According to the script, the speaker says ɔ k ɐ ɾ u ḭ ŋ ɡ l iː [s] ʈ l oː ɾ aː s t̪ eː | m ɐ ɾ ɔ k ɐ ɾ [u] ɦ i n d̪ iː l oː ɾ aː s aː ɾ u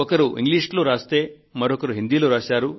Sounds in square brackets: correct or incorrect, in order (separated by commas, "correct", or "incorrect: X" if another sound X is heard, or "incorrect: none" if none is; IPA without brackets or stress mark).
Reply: incorrect: ʂ, correct